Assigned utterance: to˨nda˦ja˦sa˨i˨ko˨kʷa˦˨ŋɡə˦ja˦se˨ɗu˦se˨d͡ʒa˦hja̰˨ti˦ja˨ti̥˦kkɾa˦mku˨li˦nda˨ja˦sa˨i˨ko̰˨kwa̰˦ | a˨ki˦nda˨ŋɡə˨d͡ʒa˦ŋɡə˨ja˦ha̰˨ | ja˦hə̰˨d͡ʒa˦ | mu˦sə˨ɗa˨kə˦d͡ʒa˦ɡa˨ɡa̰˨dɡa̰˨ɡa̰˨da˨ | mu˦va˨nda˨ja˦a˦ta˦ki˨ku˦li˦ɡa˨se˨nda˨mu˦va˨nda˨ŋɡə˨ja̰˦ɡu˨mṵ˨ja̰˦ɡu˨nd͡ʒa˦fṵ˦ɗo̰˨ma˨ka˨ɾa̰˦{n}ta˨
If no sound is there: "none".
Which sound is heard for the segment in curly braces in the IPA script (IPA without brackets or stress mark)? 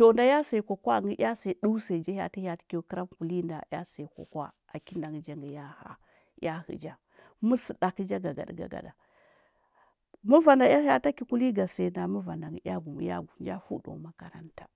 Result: n